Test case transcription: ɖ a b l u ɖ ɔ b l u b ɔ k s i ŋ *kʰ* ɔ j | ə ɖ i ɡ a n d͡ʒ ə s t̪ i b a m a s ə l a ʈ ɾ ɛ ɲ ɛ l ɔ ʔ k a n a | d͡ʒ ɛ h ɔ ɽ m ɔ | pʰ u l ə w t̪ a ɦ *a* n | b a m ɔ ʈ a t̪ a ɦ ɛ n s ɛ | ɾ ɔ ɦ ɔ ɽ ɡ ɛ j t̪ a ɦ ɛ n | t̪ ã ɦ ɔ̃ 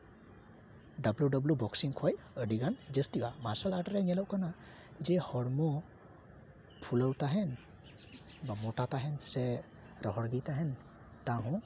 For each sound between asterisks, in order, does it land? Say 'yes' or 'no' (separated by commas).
yes, no